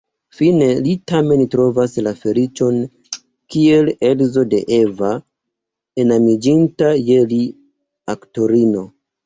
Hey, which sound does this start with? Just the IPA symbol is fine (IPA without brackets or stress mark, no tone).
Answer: f